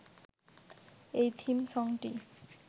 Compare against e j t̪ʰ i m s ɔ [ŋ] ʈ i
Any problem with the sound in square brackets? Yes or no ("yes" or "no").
no